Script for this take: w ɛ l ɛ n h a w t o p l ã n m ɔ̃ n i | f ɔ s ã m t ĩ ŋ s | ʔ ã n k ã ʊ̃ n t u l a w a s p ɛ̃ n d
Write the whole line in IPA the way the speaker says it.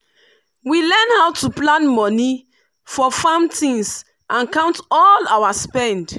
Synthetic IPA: w i l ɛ n h a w t u p l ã n m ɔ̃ n i | f ɔ f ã m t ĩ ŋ s | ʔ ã n k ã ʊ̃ n t ɔ l a w a s p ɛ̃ n d